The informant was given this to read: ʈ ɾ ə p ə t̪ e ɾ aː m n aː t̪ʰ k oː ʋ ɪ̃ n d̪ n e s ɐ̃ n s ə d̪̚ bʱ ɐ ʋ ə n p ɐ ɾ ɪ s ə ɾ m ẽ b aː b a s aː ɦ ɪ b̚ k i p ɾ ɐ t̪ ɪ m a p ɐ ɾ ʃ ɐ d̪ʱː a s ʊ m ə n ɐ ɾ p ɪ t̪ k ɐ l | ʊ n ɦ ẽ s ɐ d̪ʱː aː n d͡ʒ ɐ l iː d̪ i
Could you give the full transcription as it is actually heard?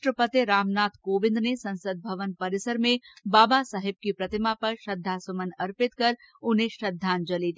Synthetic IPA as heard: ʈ ɾ ə p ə t̪ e ɾ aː m n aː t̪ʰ k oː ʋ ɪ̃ n d̪ n e s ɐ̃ n s ə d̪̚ bʱ ɐ ʋ ə n p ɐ ɾ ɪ s ə ɾ m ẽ b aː b a s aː ɦ ɪ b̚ k i p ɾ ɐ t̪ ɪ m a p ɐ ɾ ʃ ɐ d̪ʱː a s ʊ m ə n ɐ ɾ p ɪ t̪ k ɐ ɾ | ʊ n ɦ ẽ ʃ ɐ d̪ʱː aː n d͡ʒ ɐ l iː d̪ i